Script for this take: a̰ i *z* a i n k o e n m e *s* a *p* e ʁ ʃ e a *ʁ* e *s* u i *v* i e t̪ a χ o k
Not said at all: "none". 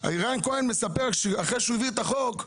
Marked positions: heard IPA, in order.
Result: ʁ, s, p, χ, ʃ, v

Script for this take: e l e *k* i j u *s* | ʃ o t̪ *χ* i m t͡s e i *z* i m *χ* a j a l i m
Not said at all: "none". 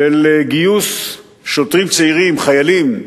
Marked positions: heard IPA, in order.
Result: ɡ, s, ʁ, ʁ, χ

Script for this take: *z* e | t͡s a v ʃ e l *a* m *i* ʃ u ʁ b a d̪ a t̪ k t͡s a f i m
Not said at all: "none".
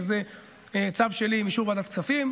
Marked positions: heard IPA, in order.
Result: z, i, i

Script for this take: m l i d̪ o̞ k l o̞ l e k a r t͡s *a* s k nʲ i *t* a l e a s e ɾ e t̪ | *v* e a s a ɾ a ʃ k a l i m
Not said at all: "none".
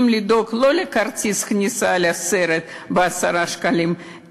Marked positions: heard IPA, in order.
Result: i, s, b

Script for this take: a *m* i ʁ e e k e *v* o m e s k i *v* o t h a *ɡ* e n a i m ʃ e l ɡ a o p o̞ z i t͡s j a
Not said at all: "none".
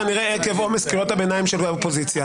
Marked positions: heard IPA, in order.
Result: n, v, ʁ, b

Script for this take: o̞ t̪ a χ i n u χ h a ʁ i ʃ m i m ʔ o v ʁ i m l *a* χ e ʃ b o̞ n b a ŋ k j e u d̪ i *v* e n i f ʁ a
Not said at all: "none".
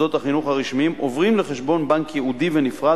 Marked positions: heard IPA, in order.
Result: e, v

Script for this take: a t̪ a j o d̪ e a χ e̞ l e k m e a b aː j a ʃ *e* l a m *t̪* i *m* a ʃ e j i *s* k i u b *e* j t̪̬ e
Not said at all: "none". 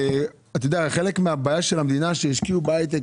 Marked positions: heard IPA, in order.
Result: e, d̪, n, ʃ, a

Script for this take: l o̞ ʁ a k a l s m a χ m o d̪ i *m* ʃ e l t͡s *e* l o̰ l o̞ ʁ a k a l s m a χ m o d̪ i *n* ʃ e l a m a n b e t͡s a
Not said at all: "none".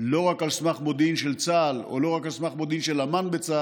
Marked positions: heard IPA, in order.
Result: n, a, n

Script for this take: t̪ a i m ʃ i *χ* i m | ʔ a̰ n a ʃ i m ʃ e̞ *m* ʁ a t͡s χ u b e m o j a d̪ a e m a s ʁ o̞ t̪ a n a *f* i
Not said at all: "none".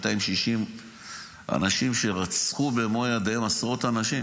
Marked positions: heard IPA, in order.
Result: ʃ, none, ʃ

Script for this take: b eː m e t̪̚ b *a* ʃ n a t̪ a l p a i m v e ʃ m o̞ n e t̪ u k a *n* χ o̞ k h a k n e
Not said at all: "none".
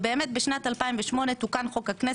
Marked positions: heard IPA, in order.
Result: e, n

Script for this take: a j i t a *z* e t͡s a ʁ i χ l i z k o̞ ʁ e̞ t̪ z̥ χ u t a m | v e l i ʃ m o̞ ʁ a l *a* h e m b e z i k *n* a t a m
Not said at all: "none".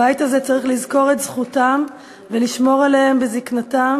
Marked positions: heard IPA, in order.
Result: z, e, n

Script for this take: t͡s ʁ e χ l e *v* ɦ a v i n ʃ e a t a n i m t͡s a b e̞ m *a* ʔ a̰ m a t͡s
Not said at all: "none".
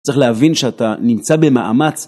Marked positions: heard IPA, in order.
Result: none, a

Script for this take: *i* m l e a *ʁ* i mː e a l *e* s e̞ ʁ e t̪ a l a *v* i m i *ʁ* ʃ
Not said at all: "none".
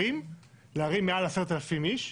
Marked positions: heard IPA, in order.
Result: i, ʁ, a, f, none

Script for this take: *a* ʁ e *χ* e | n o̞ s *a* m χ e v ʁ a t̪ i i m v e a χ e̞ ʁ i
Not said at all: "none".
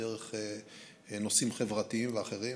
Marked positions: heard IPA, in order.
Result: e, χ, i

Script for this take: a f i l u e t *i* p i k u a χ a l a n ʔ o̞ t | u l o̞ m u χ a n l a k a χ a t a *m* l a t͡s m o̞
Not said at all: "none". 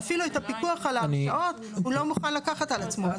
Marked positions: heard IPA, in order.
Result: a, none

